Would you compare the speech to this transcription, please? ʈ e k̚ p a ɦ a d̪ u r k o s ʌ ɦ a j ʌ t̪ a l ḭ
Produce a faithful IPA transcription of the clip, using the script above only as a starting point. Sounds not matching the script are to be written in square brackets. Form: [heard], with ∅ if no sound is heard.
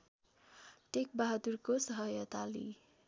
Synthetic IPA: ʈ e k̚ [b] a ɦ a d̪ u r k o s ʌ ɦ [ʌ] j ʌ t̪ a l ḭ